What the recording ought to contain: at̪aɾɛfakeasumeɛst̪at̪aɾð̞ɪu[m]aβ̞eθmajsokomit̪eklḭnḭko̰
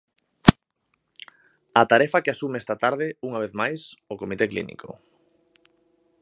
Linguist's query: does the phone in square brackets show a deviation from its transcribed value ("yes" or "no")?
yes